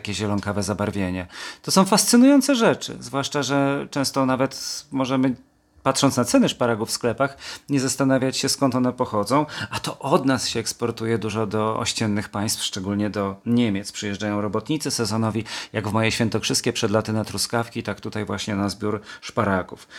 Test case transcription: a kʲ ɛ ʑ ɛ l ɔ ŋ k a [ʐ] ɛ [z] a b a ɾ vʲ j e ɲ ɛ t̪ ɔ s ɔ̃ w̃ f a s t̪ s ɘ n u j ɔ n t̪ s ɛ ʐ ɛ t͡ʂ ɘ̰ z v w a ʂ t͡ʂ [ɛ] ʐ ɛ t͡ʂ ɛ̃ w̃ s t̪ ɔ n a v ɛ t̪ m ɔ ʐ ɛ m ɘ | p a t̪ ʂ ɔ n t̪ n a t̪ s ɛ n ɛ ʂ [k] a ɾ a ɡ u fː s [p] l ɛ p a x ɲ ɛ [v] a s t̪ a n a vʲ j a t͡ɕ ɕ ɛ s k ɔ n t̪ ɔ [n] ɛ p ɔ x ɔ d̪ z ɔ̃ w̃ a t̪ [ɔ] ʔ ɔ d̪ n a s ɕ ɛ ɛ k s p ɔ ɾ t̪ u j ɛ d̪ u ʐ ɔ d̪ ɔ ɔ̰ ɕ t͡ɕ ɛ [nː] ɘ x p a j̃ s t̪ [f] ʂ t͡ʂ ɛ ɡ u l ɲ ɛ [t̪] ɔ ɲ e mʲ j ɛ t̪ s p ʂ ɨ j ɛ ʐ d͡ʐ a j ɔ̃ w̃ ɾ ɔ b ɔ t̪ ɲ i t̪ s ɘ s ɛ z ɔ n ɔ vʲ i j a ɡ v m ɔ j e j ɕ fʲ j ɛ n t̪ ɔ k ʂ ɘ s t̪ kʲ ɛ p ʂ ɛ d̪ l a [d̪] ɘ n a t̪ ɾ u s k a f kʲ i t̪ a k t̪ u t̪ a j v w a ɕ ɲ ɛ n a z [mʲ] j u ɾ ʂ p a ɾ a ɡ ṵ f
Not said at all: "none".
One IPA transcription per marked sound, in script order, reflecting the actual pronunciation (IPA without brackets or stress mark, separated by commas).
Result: v, z, a, p, k, z, n, ɔ, nː, f, d̪, t̪, bʲ